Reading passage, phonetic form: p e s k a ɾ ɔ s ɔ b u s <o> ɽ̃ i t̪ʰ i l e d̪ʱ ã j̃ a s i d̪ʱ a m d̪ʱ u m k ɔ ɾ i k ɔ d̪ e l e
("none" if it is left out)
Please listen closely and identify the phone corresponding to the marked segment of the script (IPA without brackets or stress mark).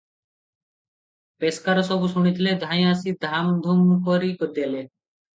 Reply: u